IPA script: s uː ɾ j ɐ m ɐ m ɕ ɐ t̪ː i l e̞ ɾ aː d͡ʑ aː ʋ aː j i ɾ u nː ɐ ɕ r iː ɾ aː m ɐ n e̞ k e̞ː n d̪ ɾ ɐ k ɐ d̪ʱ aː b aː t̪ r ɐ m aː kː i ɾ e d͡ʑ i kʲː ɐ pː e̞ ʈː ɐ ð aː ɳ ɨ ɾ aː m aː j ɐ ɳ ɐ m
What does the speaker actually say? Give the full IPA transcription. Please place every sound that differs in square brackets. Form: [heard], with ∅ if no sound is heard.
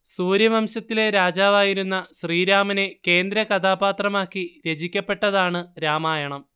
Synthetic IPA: s uː ɾ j ɐ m ɐ m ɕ ɐ t̪ː i l e̞ ɾ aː d͡ʑ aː ʋ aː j i ɾ u nː ɐ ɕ r iː ɾ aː m ɐ n e̞ k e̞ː n d̪ ɾ ɐ k ɐ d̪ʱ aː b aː t̪ r ɐ m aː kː i ɾ e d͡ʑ i kʲː ɐ pː e̞ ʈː ɐ ð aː ɳ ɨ ɾ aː m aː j ɐ ɳ ɐ m